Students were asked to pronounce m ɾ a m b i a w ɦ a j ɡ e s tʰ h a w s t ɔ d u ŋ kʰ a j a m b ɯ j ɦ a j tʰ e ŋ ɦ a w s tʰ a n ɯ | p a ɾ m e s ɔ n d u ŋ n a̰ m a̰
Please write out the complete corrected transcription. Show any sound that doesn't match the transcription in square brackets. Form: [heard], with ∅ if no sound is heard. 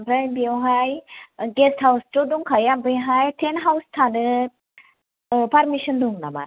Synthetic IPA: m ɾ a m b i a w ɦ a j ɡ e s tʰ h a w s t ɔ d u ŋ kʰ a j a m b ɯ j ɦ a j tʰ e [n] ɦ a w s tʰ a n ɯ | p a ɾ m [i] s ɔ n d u ŋ n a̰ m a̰